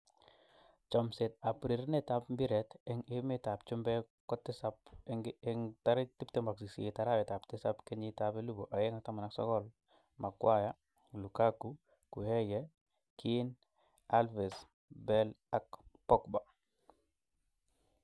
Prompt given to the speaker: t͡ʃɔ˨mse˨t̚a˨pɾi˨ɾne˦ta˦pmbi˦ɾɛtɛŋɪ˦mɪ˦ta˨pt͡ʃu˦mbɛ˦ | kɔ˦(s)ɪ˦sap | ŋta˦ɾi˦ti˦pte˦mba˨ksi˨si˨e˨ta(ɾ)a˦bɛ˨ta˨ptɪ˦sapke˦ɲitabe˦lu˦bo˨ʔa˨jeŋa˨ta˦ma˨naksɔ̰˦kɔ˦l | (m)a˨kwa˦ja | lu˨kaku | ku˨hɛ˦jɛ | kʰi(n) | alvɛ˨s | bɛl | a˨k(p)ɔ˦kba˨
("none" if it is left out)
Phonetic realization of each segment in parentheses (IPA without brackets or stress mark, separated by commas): t, ɾ, m, n, p